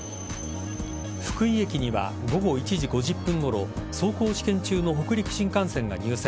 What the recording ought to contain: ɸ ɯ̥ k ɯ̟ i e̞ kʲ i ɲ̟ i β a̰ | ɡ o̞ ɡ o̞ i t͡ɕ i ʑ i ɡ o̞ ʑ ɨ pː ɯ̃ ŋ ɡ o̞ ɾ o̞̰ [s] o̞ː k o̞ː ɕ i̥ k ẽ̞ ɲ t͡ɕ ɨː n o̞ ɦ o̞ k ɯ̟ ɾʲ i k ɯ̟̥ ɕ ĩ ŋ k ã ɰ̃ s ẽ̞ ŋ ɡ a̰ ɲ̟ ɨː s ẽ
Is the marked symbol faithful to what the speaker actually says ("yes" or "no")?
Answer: yes